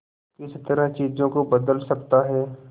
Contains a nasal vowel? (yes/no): yes